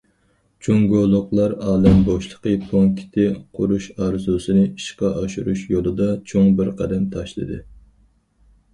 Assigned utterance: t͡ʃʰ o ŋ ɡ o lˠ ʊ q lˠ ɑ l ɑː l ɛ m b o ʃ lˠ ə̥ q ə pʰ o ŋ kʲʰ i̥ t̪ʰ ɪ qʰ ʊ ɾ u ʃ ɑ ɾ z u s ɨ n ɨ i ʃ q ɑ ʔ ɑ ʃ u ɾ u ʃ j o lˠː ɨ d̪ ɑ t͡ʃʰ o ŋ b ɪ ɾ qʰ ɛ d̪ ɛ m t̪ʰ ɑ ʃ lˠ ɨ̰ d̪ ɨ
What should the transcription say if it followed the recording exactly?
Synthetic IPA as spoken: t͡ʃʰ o ŋ ɡ o lˠ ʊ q lˠ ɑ ɾ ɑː l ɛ m b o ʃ lˠ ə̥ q ə pʰ o ŋ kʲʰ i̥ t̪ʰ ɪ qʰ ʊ ɾ u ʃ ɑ ɾ z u s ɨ n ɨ i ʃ q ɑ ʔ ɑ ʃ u ɾ u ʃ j o lˠ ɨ d̪ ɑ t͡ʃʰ o ŋ b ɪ ɾ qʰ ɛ d̪ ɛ m t̪ʰ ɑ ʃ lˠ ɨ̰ d̪ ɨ

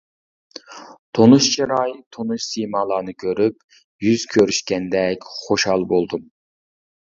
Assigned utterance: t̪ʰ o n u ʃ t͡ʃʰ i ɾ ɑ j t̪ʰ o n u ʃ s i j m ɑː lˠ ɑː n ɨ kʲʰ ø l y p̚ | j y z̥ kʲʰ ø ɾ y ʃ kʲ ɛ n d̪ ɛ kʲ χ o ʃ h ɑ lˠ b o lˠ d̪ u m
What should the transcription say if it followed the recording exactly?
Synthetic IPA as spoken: t̪ʰ o n u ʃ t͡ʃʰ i ɾ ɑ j t̪ʰ o n u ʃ s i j m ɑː lˠ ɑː n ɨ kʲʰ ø ɾ y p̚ | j y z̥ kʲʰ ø ɾ y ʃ kʲ ɛ n d̪ ɛ kʲ χ o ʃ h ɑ lˠ b o lˠ d̪ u m

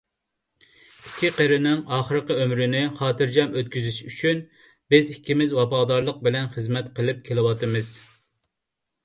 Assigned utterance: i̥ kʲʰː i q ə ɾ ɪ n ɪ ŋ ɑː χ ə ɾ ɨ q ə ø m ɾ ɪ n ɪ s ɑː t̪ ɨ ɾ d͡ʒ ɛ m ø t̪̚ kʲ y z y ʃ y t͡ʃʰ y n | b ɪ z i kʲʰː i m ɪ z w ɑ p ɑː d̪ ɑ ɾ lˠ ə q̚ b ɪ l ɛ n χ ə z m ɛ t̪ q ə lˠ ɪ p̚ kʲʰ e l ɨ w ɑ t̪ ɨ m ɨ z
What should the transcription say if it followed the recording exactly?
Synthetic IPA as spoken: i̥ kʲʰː i q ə ɾ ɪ n ɪ ŋ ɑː χ ə ɾ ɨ q ə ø m ɾ ɪ n ɪ χ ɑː t̪ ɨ ɾ d͡ʒ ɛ m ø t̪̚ kʲ y z y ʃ y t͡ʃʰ y n | b ɪ z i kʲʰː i m ɪ z w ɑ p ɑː d̪ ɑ ɾ lˠ ə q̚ b ɪ l ɛ n χ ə z m ɛ t̪ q ə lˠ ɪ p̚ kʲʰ e l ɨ w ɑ t̪ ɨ m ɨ z

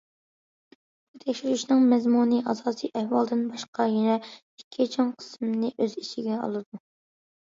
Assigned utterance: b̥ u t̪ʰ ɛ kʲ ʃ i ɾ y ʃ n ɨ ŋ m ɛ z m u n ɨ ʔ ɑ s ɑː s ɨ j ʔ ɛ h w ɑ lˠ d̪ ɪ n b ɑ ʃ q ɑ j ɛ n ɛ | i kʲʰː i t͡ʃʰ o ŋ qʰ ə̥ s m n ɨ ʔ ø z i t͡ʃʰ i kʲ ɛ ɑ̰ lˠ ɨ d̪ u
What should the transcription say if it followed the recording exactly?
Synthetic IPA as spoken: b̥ u t̪ʰ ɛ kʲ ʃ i ɾ y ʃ n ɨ ŋ m ɛ z m u n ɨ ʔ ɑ z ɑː s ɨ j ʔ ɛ h w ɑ lˠ d̪ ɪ n b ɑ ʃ q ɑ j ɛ n ɛ | i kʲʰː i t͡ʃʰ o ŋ qʰ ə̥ s m n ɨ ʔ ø z i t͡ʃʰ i ɡʲ ɛ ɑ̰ lˠ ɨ d̪ u

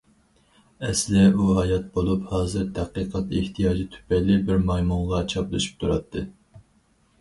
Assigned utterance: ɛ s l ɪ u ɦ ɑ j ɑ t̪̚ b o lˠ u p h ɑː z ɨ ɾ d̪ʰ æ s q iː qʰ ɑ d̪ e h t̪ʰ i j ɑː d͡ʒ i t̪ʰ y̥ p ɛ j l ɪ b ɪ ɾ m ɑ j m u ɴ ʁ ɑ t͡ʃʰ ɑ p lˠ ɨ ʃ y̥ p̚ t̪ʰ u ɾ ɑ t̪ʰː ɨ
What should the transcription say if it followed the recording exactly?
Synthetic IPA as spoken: ɛ s l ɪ u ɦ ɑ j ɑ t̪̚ b o lˠ u p h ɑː z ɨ ɾ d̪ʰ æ q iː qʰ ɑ t̪ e h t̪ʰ i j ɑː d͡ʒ i t̪ʰ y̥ p ɛ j l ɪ b ɪ ɾ m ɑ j m u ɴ ʁ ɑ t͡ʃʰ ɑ p lˠ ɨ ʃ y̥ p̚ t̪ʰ u ɾ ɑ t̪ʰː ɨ

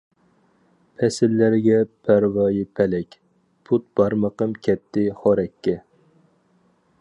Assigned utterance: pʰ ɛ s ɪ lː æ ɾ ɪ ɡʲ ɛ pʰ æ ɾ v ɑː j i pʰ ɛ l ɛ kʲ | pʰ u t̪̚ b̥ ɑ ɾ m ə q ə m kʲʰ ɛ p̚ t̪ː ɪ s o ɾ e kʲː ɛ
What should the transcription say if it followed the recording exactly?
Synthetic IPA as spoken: pʰ ɛ s ɪ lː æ ɾ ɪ ɡʲ ɛ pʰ æ ɾ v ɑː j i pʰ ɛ l ɛ kʲ | pʰ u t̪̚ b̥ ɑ ɾ m ə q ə m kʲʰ ɛ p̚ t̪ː ɪ χ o ɾ ɛ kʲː ɛ

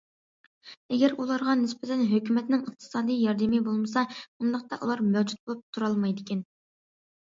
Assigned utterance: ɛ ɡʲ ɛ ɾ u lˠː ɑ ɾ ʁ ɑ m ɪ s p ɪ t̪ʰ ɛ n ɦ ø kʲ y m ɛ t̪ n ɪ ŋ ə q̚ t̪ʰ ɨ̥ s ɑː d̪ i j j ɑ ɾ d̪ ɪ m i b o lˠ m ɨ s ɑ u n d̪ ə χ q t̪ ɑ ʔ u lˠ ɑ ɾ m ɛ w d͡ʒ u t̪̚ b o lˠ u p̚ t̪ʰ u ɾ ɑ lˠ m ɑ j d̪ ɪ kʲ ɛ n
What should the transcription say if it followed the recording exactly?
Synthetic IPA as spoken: ɛ ɡʲ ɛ ɾ u lˠ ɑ ɾ ʁ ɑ n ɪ s p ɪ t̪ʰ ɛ n ɦ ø kʲ y m ɛ t̪ n ɪ ŋ ə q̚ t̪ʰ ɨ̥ s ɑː d̪ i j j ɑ ɾ d̪ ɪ m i b o lˠ m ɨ s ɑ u n d̪ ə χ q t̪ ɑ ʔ u lˠ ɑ ɾ m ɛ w d͡ʒ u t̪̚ b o lˠ u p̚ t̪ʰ u ɾ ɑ lˠ m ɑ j d̪ ɪ kʲ ɛ n

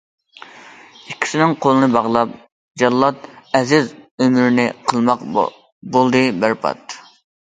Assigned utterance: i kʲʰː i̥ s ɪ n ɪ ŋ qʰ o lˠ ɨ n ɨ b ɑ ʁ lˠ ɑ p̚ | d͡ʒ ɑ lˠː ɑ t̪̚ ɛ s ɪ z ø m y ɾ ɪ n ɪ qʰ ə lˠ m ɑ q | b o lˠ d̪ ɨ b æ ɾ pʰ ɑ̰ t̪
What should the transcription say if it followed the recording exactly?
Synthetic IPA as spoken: i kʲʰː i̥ s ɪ n ɪ ŋ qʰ o lˠ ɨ n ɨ b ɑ ʁ lˠ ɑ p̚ | d͡ʒ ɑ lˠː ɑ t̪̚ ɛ z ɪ z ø m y ɾ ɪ n ɪ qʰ ə lˠ m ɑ q | b o lˠ d̪ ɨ b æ ɾ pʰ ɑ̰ t̪

